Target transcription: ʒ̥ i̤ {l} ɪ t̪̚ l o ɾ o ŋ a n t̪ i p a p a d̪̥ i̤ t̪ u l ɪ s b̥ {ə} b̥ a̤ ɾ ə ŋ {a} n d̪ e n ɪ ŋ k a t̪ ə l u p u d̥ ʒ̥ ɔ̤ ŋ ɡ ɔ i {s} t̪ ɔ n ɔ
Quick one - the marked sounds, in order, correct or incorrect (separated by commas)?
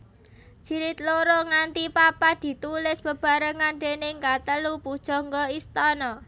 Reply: incorrect, correct, correct, correct